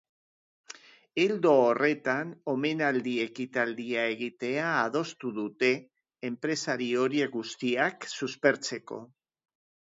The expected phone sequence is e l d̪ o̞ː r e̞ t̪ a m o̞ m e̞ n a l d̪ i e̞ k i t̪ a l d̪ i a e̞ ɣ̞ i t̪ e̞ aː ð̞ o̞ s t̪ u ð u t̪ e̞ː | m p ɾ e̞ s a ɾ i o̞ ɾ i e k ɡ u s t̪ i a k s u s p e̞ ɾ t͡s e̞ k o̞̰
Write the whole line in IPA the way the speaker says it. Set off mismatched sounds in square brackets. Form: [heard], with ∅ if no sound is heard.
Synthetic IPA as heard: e l d̪ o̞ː r e̞ t̪ a [n] o̞ m e̞ n a l d̪ i e̞ k i t̪ a l d̪ i a e̞ ɣ̞ i t̪ e̞ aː ð̞ o̞ s t̪ u ð u t̪ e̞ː | m p ɾ e̞ s a ɾ i o̞ ɾ i e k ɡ u s t̪ i a k s u s p e̞ ɾ t͡s e̞ k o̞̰